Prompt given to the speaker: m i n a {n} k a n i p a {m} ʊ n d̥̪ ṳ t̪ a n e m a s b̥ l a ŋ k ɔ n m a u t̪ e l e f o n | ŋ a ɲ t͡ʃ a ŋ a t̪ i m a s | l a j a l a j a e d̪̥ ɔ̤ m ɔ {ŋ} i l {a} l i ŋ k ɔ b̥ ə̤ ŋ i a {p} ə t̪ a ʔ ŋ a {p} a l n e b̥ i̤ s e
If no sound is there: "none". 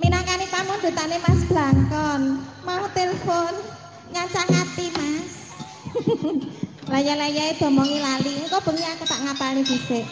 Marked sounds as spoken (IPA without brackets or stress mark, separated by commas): ŋ, m, ŋ, a, k, p